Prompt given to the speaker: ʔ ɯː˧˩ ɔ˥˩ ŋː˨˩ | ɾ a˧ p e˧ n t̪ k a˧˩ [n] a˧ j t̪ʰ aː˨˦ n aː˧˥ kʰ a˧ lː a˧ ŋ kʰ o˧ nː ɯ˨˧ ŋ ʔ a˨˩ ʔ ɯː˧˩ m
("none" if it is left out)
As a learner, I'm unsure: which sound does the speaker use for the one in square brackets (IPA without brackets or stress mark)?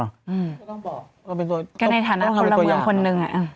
n